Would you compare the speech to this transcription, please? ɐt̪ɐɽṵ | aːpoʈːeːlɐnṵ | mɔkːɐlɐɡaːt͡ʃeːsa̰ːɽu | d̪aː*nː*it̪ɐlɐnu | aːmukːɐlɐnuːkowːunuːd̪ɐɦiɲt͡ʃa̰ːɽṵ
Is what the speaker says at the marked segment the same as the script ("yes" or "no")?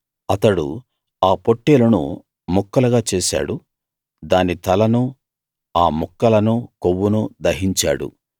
no